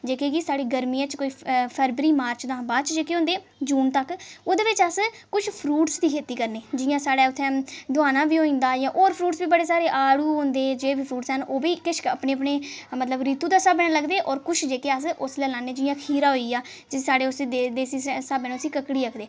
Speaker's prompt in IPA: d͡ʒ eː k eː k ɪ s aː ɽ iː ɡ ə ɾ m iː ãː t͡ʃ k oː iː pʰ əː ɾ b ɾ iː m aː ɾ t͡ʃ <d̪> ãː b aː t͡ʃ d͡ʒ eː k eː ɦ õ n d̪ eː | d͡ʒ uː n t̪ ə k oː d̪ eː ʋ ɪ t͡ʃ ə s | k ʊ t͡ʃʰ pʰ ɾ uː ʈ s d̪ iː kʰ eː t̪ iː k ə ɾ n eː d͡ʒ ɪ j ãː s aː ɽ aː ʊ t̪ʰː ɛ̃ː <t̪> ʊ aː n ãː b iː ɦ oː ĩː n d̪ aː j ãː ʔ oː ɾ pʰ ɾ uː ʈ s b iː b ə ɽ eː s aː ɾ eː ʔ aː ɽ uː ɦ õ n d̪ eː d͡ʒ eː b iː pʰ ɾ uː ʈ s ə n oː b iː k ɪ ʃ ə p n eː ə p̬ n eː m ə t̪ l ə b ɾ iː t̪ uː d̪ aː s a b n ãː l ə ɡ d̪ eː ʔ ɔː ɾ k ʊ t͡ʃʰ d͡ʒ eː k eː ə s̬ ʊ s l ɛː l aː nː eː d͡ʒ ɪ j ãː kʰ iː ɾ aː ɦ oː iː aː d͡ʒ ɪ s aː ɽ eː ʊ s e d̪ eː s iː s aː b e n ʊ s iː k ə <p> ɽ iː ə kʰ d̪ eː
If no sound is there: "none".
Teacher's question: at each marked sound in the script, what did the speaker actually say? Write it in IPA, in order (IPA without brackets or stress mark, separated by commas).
d̪, d̪, k